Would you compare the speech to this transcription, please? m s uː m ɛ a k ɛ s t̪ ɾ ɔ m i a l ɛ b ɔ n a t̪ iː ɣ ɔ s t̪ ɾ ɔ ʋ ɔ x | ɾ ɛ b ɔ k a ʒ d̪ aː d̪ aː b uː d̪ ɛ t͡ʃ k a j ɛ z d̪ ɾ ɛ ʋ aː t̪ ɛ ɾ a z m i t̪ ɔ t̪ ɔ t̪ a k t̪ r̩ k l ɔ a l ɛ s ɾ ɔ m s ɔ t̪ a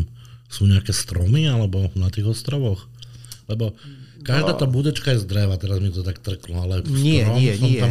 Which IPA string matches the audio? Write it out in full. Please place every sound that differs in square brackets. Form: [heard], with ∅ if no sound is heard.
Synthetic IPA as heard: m s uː [ɲ] ɛ a k ɛ s t̪ ɾ ɔ m i a l ɛ b ɔ n a t̪ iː ɣ ɔ s t̪ ɾ ɔ ʋ ɔ x | [l] ɛ b ɔ k a ʒ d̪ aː [t̪] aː b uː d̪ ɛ t͡ʃ k a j ɛ z d̪ ɾ ɛ ʋ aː t̪ ɛ ɾ a z m i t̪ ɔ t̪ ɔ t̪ a k t̪ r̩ k l ɔ a l ɛ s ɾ ɔ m s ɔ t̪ a